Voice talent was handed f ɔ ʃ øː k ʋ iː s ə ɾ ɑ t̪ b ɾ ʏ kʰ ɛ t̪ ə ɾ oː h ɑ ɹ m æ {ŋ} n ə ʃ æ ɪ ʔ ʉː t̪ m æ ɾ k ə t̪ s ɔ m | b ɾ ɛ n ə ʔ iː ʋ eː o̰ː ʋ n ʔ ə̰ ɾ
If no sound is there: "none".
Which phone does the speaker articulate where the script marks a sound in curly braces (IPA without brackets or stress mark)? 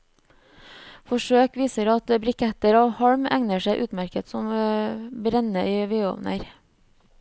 ŋ